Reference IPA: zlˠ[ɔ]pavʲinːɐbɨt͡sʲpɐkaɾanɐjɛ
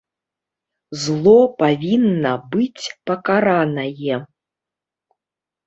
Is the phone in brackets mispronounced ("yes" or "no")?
no